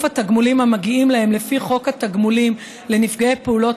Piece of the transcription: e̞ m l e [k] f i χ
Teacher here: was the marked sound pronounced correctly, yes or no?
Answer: no